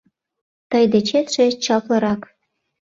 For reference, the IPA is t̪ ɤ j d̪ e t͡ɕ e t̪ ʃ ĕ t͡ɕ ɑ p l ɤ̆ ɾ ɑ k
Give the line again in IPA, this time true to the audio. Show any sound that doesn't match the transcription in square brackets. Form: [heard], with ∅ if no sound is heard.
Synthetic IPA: t̪ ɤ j d̪ e t͡ɕ e t̪ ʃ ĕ t͡ɕ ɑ p l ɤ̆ ɾ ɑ k